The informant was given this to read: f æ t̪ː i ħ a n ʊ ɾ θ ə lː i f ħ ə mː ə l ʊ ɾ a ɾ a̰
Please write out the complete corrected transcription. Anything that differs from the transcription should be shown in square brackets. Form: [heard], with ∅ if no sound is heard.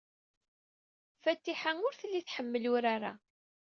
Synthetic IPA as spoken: f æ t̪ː i ħ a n ʊ ɾ θ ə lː i [θ] ħ ə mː ə l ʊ ɾ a ɾ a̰